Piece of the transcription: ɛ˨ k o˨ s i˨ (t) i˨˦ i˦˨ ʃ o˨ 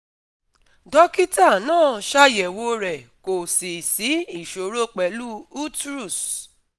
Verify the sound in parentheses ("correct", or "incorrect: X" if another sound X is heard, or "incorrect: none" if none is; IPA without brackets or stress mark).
incorrect: s